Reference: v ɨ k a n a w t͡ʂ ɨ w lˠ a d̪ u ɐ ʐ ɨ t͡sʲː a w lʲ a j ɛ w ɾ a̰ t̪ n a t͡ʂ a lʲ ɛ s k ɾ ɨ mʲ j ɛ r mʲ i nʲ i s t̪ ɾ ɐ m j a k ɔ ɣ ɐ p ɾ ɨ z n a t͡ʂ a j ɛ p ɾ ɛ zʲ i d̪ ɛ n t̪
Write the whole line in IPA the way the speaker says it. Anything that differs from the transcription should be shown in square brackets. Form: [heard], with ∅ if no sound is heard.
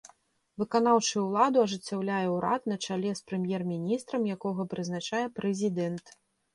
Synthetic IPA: v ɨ k a n a w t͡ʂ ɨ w lˠ a d̪ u ɐ ʐ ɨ t͡sʲː a w lʲ a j ɛ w ɾ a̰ t̪ n [ɐ] t͡ʂ a lʲ ɛ s [p] ɾ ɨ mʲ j ɛ r mʲ i nʲ i s t̪ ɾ ɐ m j a k ɔ ɣ ɐ p ɾ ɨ z n a t͡ʂ a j ɛ p ɾ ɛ zʲ i d̪ ɛ n t̪